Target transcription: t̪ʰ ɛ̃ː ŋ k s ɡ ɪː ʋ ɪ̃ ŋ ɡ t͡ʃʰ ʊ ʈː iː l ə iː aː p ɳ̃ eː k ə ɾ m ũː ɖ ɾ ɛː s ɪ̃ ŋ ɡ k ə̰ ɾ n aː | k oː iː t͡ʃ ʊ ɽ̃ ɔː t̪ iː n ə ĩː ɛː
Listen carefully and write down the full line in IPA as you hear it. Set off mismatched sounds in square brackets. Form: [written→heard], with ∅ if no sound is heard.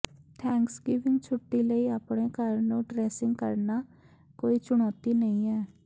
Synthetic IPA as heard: t̪ʰ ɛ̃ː ŋ k s ɡ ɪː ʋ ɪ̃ ŋ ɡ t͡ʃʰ ʊ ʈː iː l ə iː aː p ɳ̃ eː k ə ɾ [m→n] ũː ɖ ɾ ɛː s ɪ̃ ŋ ɡ k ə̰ ɾ n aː | k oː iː t͡ʃ ʊ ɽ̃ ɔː t̪ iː n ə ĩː ɛː